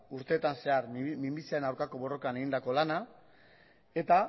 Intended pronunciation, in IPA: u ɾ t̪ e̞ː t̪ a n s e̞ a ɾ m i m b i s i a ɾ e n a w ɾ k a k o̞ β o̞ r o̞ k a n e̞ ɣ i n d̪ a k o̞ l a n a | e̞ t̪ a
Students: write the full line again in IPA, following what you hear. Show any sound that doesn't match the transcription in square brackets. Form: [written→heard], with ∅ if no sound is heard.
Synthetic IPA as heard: u ɾ t̪ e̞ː t̪ a n s e̞ a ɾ m i m b i s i a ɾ e n a w ɾ k a k o̞ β o̞ r o̞ k a n e̞ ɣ i n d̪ a k o̞ l a n a | e̞ t̪ a